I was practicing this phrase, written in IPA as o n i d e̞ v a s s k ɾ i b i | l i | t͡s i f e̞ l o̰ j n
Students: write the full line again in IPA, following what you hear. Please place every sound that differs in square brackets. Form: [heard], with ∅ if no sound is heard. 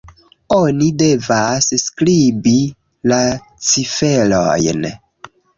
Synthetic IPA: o n i d e̞ v a s s k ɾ i b i | l [a] | t͡s i f e̞ l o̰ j n